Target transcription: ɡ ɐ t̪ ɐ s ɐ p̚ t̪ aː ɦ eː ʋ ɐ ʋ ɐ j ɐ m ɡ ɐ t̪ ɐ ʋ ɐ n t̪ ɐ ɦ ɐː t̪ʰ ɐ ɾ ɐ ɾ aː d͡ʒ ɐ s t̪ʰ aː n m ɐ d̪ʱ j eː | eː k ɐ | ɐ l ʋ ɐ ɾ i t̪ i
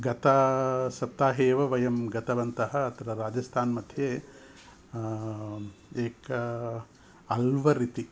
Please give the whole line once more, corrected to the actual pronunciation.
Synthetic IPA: ɡ ɐ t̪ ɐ s ɐ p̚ t̪ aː ɦ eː ʋ ɐ ʋ ɐ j ɐ m ɡ ɐ t̪ ɐ ʋ ɐ n t̪ ɐ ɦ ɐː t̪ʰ ɐ ɾ ɐ ɾ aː d͡ʒ ɐ s t̪ʰ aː n m ɐ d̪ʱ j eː | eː k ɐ | ɐ l ʋ ɐ ɾ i t̪ i

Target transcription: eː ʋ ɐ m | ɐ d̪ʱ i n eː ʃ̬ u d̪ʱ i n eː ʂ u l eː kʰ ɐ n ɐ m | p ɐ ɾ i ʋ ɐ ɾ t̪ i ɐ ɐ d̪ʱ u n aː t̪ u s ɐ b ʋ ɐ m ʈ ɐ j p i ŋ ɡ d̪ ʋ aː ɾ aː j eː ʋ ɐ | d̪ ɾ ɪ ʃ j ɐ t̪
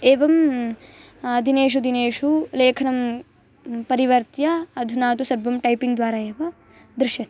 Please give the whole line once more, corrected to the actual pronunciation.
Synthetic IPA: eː ʋ ɐ m | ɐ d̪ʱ i n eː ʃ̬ u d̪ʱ i n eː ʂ u l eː kʰ ɐ n ɐ m | p ɐ ɾ i ʋ ɐ ɾ t̪ j ɐ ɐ d̪ʱ u n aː t̪ u s ɐ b ʋ ɐ m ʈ ɐ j p i ŋ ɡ d̪ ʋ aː ɾ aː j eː ʋ ɐ | d̪ ɾ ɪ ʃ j ɐ t̪

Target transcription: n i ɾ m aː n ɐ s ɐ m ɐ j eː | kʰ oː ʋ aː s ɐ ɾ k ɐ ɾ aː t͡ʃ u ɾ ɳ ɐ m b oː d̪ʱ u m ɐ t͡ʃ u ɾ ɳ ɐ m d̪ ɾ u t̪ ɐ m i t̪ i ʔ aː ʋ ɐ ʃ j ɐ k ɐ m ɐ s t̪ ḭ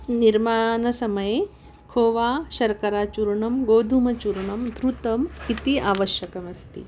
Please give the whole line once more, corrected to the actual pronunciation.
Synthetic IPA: n i ɾ m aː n ɐ s ɐ m ɐ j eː | kʰ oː ʋ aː ʃ ɐ ɾ k ɐ ɾ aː t͡ʃ u ɾ ɳ ɐ m ɡ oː d̪ʱ u m ɐ t͡ʃ u ɾ ɳ ɐ m d̪ ɾ u t̪ ɐ m i t̪ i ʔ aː ʋ ɐ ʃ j ɐ k ɐ m ɐ s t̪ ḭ

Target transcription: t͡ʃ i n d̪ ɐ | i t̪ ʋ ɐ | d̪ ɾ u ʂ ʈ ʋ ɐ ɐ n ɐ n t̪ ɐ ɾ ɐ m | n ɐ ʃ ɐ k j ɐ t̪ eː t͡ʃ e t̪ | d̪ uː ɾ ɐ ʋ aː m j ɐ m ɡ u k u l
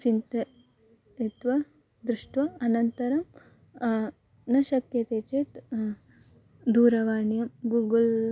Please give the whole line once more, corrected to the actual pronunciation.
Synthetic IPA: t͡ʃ i n t̪ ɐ | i t̪ ʋ ɐ | d̪ ɾ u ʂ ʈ ʋ ɐ ɐ n ɐ n t̪ ɐ ɾ ɐ m | n ɐ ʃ ɐ k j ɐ t̪ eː t͡ʃ e t̪ | d̪ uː ɾ ɐ ʋ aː ɳ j ɐ m ɡ u ɡ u l

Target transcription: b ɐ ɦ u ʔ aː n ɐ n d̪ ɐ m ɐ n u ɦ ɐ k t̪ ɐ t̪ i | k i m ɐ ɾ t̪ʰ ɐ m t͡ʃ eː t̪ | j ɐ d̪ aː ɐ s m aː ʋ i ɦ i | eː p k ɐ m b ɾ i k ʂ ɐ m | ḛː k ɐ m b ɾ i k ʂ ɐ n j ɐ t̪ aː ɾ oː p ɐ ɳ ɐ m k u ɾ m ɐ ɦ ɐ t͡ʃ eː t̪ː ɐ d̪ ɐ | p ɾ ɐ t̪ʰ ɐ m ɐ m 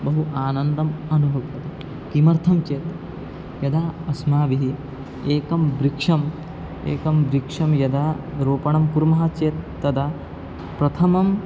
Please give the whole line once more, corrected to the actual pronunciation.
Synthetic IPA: b ɐ ɦ u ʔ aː n ɐ n d̪ ɐ m ɐ n u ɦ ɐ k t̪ ɐ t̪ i | k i m ɐ ɾ t̪ʰ ɐ m t͡ʃ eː t̪ | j ɐ d̪ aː ɐ s m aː ʋ i ɦ i | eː k ɐ m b ɾ i k ʂ ɐ m | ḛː k ɐ m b ɾ i k ʂ ɐ m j ɐ d̪ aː ɾ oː p ɐ ɳ ɐ m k u ɾ m ɐ ɦ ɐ t͡ʃ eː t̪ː ɐ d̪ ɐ | p ɾ ɐ t̪ʰ ɐ m ɐ m

